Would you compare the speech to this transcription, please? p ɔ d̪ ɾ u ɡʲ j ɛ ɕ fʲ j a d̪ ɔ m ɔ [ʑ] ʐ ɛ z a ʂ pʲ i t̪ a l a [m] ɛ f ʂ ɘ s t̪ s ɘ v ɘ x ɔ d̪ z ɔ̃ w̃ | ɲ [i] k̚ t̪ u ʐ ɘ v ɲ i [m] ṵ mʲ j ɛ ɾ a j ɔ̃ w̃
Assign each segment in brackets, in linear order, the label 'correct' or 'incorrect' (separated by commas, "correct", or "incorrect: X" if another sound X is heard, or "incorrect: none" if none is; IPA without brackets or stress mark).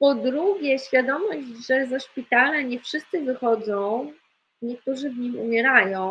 correct, incorrect: ɲ, incorrect: ɛ, correct